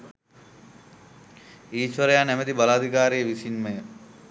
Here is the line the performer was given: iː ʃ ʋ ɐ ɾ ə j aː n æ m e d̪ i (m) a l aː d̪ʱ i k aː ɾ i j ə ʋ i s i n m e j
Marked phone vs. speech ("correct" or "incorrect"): incorrect